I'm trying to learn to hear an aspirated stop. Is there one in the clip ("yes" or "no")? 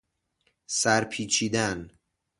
yes